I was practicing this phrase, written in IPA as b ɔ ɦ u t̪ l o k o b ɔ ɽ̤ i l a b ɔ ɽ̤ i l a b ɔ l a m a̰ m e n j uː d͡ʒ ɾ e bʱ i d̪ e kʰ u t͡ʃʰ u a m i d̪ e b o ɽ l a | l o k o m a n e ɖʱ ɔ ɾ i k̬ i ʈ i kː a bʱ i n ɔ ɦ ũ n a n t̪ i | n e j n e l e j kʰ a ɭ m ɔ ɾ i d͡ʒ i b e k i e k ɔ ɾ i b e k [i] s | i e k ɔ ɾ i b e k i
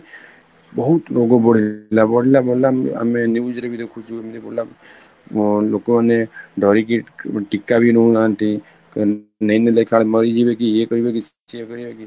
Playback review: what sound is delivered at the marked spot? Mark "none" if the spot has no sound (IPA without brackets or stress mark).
i